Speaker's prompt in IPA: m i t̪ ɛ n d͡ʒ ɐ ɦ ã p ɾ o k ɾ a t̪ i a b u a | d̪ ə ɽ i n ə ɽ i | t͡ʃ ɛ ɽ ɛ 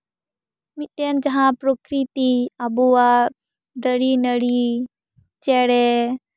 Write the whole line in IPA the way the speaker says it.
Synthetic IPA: m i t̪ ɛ n d͡ʒ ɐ ɦ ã p ɾ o k ɾ i t̪ i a b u a | d̪ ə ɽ i n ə ɽ i | t͡ʃ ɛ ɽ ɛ